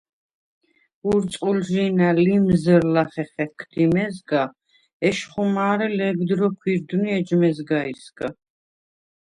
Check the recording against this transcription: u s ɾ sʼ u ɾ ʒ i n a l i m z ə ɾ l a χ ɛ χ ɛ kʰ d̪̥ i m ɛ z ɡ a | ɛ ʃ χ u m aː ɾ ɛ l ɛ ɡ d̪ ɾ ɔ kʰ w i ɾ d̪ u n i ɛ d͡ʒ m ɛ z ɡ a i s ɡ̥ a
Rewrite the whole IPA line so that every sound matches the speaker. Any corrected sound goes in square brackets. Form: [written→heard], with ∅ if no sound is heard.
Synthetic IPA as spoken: u [s→∅] ɾ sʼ u [ɾ→l] ʒ i n a l i m z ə ɾ l a χ ɛ χ ɛ kʰ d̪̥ i m ɛ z ɡ a | ɛ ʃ χ u m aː ɾ ɛ l ɛ ɡ d̪ ɾ ɔ kʰ w i ɾ d̪ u n i ɛ d͡ʒ m ɛ z ɡ a i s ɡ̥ a